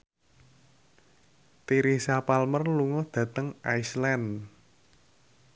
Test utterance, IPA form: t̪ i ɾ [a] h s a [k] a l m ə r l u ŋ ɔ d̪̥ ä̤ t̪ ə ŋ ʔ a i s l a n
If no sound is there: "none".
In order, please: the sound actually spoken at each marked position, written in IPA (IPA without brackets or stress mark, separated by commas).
i, p